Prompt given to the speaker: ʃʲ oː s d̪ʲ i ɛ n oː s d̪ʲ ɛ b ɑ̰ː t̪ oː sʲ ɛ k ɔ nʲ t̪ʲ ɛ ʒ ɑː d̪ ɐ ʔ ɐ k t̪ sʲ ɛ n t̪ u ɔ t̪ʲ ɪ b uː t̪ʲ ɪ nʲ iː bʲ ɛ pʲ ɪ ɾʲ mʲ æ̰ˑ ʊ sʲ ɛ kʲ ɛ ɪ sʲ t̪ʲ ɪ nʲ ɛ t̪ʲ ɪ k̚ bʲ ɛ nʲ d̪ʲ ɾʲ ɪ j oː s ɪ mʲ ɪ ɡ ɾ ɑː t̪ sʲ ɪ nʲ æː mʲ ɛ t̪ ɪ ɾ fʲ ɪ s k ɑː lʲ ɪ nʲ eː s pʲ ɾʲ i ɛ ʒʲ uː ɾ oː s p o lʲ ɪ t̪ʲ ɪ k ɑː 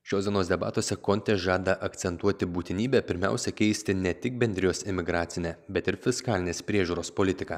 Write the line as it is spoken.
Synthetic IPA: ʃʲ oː s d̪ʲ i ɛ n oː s d̪ʲ ɛ b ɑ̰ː t̪ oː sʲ ɛ k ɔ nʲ t̪ʲ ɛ ʒ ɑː d̪ ɐ ʔ ɐ k t̪ sʲ ɛ n t̪ u ɔ t̪ʲ ɪ b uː t̪ʲ ɪ nʲ iː bʲ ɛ pʲ ɪ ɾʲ mʲ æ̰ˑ ʊ sʲ ɛ kʲ ɛ ɪ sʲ t̪ʲ ɪ nʲ ɛ t̪ʲ ɪ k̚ bʲ ɛ nʲ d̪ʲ ɾʲ ɪ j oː s ɪ mʲ ɪ ɡ ɾ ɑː t̪ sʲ ɪ nʲ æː bʲ ɛ t̪ ɪ ɾ fʲ ɪ s k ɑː lʲ ɪ nʲ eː s pʲ ɾʲ i ɛ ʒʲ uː ɾ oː s p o lʲ ɪ t̪ʲ ɪ k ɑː